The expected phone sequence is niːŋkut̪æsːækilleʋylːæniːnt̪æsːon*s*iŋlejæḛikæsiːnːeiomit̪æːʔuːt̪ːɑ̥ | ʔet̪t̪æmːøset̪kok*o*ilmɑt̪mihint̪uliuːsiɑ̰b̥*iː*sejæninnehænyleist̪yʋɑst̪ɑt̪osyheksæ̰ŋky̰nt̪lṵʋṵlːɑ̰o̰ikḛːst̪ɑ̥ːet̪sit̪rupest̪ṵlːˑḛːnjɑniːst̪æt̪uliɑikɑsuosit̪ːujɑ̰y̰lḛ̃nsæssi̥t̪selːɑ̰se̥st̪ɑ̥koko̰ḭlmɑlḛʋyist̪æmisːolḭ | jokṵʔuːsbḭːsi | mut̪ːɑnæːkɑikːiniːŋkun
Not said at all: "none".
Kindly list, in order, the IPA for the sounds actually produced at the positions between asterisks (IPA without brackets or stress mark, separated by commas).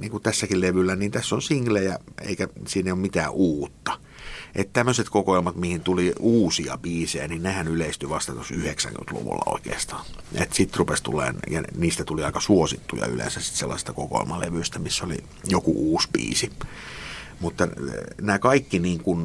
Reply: s, o, iː